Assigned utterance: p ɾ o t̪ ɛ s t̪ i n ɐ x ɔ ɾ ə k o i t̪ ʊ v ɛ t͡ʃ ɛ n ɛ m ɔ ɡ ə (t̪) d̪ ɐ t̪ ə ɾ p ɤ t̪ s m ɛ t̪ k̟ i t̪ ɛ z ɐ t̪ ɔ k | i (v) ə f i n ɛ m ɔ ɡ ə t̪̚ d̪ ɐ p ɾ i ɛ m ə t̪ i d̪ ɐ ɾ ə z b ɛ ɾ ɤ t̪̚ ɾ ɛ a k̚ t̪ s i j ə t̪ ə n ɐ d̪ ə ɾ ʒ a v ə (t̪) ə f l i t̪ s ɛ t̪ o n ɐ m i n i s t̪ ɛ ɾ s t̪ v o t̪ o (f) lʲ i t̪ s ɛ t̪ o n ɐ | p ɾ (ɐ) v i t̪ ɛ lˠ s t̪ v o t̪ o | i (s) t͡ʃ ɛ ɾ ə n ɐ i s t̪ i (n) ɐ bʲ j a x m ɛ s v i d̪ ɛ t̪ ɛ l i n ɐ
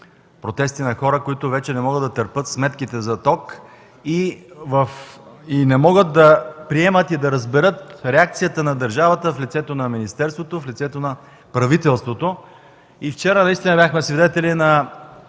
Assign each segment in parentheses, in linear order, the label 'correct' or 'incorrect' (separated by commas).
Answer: incorrect, correct, correct, correct, correct, incorrect, correct